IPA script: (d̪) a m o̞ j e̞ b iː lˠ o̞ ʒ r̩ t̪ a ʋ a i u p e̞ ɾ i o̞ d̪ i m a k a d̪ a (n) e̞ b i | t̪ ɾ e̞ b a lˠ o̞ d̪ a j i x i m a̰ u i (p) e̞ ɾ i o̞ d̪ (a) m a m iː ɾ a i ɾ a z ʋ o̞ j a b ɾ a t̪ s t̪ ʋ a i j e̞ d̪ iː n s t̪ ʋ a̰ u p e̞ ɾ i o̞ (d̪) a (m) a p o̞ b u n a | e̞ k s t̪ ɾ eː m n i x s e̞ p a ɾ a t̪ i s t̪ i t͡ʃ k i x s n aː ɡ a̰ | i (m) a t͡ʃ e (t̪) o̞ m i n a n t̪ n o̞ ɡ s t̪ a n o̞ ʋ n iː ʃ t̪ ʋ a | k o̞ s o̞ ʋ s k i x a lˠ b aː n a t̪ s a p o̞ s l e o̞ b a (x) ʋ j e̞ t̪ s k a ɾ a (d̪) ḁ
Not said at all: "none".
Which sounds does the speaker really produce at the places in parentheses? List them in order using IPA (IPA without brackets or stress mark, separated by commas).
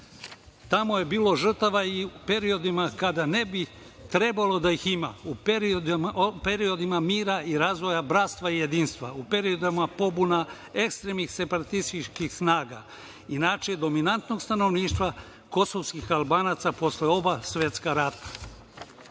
t̪, n, p, i, d̪, m, n, d̪, s, t̪